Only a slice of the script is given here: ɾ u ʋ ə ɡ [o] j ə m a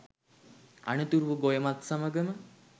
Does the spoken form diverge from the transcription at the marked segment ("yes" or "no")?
no